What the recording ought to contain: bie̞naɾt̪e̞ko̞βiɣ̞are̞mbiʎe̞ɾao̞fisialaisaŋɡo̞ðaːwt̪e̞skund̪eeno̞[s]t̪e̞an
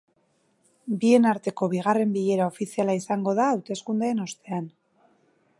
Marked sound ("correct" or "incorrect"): correct